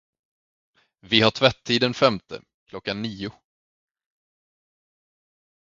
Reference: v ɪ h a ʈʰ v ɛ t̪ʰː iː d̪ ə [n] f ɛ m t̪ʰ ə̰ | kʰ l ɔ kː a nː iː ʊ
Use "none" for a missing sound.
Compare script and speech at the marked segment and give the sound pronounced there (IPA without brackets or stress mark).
n